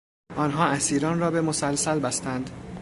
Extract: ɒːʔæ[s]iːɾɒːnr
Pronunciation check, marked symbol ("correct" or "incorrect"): correct